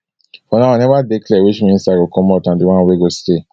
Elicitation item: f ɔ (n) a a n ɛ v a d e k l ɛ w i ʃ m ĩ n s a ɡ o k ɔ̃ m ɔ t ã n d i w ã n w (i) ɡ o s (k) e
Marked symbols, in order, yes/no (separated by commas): yes, no, no